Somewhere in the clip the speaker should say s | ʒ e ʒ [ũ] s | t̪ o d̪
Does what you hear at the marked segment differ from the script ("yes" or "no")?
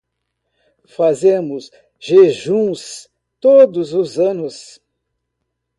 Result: no